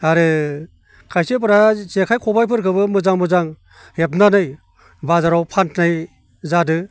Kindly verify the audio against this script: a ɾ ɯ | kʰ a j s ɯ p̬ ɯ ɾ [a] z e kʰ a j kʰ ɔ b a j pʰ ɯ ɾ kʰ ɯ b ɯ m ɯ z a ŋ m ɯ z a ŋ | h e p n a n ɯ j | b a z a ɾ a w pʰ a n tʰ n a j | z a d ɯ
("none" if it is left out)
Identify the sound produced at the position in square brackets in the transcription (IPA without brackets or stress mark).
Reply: a